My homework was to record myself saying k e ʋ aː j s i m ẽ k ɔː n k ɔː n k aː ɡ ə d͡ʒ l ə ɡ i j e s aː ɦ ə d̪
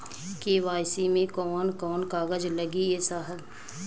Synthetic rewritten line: k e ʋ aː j s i m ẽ k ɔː n k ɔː n k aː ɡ ə d͡ʒ l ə ɡ i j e s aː ɦ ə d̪